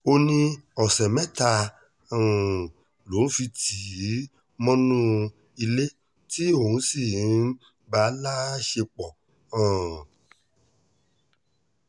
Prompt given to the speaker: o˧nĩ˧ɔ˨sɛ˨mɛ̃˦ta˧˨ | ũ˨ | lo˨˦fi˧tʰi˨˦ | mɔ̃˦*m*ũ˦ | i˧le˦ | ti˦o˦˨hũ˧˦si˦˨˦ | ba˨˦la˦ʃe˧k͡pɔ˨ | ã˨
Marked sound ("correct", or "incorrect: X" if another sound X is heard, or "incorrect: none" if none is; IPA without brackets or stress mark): incorrect: n